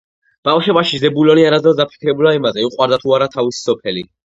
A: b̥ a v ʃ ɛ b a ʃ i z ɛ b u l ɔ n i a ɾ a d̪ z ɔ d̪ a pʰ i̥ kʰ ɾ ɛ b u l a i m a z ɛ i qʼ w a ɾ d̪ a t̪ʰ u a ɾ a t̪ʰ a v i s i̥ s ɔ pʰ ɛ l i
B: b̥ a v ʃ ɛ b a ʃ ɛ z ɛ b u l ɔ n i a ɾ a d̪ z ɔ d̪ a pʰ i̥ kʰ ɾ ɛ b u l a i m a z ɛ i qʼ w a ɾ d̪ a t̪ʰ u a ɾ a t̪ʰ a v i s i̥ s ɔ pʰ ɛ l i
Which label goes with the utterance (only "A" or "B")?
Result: A